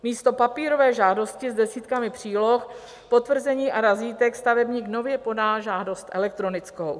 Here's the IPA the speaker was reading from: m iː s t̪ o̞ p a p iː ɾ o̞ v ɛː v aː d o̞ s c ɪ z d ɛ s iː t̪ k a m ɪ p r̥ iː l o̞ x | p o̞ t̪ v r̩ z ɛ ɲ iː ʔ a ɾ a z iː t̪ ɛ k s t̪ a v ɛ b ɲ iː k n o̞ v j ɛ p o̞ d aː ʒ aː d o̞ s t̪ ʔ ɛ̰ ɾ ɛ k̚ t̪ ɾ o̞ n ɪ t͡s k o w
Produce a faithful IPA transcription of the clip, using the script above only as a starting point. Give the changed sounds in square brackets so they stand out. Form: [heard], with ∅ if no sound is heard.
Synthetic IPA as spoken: m iː s t̪ o̞ p a p iː ɾ o̞ v ɛː [ʒ] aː d o̞ s c ɪ z d ɛ s iː t̪ k a m ɪ p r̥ iː l o̞ x | p o̞ t̪ v r̩ z ɛ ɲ iː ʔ a ɾ a z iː t̪ ɛ k s t̪ a v ɛ b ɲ iː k n o̞ v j ɛ p o̞ d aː ʒ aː d o̞ s t̪ ʔ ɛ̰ [l] ɛ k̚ t̪ ɾ o̞ n ɪ t͡s k o w